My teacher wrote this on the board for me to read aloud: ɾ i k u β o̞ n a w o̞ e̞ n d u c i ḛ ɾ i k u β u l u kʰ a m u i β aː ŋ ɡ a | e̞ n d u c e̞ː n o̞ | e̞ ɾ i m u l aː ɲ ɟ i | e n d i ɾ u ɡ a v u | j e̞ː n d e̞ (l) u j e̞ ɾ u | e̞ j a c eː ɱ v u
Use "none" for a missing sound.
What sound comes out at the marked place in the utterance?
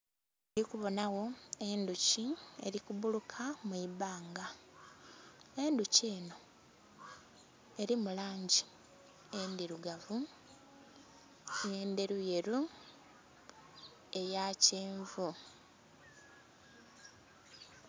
ɾ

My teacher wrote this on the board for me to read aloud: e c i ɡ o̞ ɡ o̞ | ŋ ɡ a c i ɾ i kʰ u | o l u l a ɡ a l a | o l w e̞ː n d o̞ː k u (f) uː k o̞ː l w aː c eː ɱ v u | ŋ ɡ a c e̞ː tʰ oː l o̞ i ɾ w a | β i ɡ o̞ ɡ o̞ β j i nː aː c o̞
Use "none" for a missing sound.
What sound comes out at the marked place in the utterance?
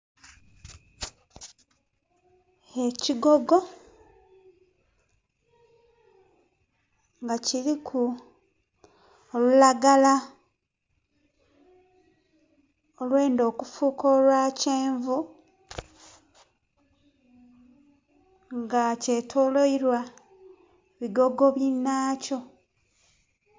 f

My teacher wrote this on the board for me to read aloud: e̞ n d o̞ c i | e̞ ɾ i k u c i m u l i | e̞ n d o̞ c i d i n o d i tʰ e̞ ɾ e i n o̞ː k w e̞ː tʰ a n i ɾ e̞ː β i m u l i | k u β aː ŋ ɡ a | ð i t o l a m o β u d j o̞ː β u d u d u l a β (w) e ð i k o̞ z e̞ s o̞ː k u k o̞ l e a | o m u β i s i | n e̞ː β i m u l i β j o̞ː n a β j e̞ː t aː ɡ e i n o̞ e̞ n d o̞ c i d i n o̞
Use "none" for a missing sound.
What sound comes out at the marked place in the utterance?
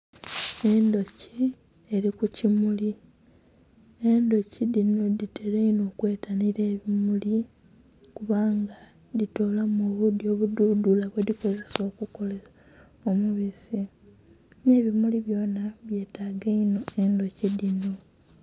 w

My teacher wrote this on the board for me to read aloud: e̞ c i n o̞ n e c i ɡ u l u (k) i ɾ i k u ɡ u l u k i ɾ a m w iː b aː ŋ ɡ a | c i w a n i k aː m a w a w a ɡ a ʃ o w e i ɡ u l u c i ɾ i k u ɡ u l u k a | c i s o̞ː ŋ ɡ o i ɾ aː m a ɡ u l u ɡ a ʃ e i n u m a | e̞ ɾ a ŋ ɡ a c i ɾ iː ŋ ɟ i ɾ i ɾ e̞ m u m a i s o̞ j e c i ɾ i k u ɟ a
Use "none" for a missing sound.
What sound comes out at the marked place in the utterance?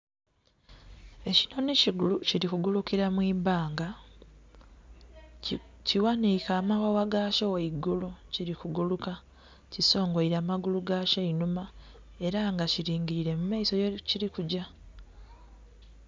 c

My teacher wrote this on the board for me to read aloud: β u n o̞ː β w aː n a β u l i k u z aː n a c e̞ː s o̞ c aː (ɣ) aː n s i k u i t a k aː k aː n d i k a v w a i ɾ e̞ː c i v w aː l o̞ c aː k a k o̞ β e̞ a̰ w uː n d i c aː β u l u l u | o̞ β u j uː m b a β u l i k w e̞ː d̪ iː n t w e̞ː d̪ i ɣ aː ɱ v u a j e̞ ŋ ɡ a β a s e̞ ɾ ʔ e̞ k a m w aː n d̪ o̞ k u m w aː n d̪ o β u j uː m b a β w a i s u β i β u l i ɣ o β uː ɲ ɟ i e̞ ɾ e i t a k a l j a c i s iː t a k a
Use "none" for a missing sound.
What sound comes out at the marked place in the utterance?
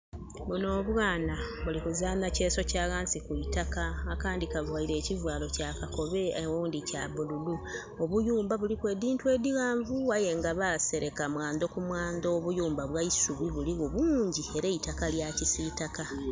ɣ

